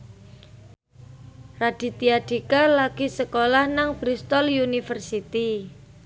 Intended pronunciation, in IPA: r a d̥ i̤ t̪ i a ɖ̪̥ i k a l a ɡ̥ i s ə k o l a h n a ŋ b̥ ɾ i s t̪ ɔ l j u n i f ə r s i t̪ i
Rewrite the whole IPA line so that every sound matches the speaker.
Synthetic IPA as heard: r a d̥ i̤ t̪ i a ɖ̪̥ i k a l a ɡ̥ i s ə k o l a h n a ŋ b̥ ɾ i s t̪ ɔ l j u n i f ə r s i t̪ i